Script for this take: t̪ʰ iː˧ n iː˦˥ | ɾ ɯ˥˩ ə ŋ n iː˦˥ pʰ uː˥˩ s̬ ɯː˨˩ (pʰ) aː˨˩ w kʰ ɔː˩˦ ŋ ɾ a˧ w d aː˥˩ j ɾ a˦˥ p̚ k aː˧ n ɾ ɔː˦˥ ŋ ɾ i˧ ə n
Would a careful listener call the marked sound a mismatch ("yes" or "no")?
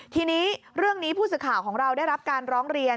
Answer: yes